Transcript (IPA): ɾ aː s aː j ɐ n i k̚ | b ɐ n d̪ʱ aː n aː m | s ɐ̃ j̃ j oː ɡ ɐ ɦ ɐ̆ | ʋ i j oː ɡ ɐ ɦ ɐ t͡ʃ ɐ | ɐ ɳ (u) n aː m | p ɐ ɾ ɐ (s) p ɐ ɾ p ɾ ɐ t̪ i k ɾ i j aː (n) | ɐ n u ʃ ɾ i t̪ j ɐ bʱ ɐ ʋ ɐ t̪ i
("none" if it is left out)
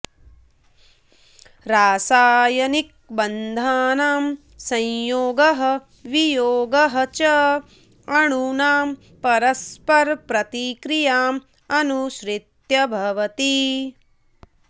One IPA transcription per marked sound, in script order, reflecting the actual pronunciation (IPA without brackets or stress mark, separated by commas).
u, s, m